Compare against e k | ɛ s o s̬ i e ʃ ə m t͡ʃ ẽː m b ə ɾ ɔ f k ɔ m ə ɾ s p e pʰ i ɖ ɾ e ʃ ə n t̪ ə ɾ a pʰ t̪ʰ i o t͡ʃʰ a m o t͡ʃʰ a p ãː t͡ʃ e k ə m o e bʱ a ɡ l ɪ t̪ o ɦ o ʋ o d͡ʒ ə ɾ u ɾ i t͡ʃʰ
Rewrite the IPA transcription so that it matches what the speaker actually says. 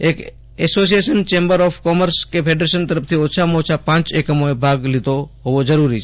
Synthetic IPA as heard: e k | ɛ s o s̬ i e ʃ ə n t͡ʃ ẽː m b ə ɾ ɔ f k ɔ m ə ɾ s k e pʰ e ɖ ɾ e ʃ ə n t̪ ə ɾ ə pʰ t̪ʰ i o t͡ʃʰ a m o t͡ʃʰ a p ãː t͡ʃ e k ə m o e bʱ a ɡ l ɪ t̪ o ɦ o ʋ o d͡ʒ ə ɾ u ɾ i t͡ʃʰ